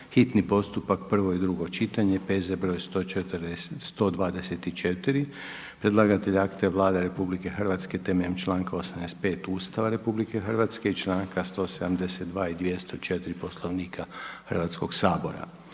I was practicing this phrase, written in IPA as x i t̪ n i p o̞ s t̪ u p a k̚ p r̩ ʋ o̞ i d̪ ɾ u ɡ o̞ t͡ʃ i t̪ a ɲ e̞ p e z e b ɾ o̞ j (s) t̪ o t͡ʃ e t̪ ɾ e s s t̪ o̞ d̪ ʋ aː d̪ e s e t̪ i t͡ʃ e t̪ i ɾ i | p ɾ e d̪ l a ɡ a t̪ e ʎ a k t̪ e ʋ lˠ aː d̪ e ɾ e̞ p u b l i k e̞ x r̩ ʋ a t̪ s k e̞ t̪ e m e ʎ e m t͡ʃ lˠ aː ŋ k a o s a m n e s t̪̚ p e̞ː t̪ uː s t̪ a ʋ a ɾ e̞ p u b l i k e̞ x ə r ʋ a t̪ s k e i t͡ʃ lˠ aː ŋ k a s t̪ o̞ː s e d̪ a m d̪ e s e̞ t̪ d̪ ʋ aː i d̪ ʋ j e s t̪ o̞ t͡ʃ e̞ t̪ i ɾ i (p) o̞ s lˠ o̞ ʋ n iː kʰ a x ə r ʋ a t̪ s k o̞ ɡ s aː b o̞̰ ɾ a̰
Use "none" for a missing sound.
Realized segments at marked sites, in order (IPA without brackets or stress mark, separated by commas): s, p